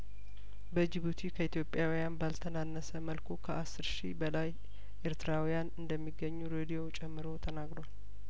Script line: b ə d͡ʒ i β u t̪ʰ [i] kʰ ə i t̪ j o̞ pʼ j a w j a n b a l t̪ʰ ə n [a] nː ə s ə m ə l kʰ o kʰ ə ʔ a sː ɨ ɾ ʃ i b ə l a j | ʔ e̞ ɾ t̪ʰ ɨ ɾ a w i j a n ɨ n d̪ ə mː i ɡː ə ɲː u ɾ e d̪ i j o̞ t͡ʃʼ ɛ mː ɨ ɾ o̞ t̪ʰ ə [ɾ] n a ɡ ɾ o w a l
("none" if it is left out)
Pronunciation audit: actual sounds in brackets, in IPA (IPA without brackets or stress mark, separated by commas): i, a, none